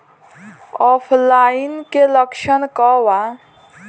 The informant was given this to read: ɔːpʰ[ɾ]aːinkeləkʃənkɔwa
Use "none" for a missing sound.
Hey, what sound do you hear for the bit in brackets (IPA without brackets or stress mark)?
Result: l